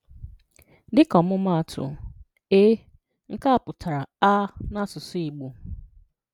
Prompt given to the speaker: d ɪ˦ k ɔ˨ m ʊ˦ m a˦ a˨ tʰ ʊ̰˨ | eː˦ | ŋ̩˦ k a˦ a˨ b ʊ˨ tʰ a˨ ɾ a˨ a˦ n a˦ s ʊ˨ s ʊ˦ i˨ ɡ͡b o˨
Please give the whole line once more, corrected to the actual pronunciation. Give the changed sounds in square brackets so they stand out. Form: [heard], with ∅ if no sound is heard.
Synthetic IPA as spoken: d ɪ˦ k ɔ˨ m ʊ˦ m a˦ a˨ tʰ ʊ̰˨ | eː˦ | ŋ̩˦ k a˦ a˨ [p] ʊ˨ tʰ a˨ ɾ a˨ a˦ n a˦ s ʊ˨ s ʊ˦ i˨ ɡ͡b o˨